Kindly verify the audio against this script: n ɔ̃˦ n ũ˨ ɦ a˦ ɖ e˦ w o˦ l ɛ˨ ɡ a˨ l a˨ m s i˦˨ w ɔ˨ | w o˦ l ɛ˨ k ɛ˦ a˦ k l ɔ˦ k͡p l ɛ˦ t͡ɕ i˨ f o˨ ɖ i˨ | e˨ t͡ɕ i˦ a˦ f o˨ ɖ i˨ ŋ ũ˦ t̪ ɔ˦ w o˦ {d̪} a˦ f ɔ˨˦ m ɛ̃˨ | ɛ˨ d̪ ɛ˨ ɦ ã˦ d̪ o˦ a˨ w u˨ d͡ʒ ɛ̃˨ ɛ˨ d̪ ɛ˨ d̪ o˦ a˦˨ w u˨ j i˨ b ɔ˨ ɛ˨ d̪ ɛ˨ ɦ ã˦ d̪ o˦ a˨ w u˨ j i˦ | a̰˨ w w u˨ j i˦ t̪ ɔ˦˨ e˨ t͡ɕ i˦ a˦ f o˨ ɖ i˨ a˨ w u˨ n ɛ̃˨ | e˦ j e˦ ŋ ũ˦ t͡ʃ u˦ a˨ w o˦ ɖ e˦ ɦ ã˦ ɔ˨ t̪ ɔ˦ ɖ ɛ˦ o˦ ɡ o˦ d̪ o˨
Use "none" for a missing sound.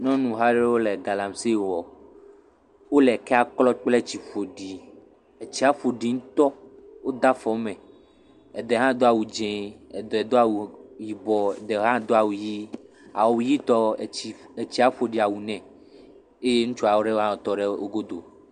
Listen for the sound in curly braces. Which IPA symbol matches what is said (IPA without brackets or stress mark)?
d̪